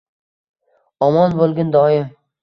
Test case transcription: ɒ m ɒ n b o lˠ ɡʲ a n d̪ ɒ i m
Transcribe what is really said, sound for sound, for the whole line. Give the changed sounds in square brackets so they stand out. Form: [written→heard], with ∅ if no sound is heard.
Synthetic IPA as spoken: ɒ m ɒ n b o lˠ ɡʲ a n d̪ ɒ [i→ɪ] m